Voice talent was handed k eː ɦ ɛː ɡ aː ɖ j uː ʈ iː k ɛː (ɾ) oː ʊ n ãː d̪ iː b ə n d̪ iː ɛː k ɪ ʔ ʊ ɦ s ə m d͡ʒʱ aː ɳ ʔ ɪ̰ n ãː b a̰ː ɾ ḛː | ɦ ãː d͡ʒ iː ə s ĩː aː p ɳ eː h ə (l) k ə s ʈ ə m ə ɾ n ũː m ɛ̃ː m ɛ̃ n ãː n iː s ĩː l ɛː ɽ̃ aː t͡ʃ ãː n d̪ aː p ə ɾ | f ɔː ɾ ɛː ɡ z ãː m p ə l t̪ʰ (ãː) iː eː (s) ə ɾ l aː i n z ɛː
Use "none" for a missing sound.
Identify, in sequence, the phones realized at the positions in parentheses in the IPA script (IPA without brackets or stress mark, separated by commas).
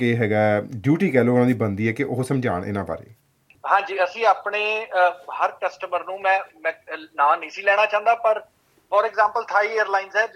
l, ɾ, aː, none